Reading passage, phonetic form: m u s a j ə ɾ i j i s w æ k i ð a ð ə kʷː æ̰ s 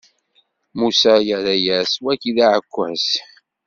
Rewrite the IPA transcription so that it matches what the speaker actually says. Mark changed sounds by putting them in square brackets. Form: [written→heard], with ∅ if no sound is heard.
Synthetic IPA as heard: m u s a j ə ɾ [i→æ] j [i→æ] s w æ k i ð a [ð→ʕ] ə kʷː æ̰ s